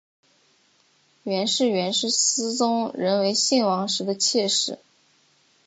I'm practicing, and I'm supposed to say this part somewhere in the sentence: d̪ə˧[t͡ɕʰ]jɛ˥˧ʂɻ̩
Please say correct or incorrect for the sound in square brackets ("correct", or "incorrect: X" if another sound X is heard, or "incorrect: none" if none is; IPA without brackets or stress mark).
correct